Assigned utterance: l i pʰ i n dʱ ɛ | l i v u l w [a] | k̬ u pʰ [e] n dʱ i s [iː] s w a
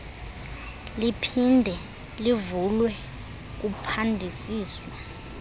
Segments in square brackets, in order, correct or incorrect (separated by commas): incorrect, incorrect, correct